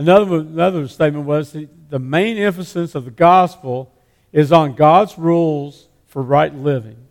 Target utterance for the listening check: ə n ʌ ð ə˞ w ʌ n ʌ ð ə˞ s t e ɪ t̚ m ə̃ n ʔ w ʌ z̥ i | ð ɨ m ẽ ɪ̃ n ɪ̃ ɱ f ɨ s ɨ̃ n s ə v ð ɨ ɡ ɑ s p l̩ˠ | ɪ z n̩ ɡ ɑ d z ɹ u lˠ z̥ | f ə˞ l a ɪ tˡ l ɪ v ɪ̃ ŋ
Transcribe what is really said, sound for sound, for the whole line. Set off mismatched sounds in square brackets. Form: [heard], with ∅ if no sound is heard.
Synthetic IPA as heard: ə n ʌ ð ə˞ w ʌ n ʌ ð ə˞ s t e ɪ t̚ m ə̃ n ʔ w ʌ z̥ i | ð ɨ m ẽ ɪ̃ n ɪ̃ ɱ f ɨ s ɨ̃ n s [ʌ] v ð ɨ ɡ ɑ s p l̩ˠ | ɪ z n̩ ɡ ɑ d z ɹ u lˠ z̥ | f ə˞ [ɹ] a ɪ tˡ l ɪ v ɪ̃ ŋ